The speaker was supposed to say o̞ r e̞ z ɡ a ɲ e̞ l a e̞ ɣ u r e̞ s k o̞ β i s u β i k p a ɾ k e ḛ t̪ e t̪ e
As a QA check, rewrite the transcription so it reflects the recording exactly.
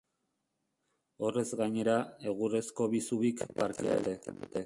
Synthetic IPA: o̞ r e̞ z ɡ a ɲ e̞ ɾ a e̞ ɣ u r e̞ s k o̞ β i s u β i k p a ɾ k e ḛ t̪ e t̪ e